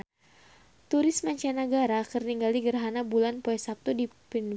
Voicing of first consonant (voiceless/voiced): voiceless